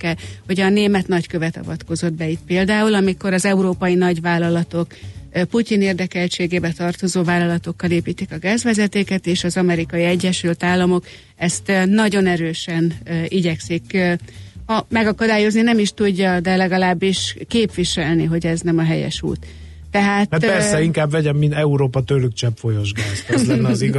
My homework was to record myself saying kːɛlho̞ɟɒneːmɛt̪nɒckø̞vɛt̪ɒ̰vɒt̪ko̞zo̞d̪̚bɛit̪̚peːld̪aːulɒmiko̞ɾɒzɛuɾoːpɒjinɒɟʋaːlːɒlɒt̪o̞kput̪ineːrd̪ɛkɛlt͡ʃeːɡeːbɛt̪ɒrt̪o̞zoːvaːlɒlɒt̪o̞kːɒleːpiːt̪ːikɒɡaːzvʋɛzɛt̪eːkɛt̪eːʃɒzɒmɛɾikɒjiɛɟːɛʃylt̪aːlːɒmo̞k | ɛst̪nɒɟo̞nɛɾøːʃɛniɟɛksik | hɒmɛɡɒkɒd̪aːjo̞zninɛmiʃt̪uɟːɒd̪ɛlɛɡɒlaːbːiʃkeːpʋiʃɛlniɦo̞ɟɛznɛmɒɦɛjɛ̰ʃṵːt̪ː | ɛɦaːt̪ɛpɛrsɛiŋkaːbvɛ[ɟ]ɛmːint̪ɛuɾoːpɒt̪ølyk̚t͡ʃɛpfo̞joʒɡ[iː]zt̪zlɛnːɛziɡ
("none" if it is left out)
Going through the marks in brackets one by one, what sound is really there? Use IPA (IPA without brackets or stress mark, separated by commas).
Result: ɟ, aː